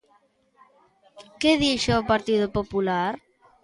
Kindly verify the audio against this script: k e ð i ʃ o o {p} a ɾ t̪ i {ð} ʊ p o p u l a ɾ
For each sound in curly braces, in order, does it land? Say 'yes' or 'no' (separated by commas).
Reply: yes, yes